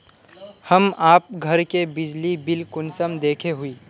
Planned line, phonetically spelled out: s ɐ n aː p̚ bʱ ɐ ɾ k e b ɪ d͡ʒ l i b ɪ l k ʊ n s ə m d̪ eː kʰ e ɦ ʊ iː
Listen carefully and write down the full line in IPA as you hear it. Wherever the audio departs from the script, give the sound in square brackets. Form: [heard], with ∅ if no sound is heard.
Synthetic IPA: [h] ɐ [m] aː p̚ [ɡʱ] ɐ ɾ k e b ɪ d͡ʒ l i b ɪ l k ʊ n s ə m d̪ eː kʰ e ɦ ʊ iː